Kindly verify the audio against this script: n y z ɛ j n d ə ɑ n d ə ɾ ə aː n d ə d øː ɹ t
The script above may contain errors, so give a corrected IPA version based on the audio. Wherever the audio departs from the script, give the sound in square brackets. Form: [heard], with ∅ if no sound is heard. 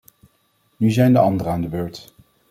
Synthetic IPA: n y z ɛ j n d ə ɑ n d ə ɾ ə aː n d ə [b] øː ɹ t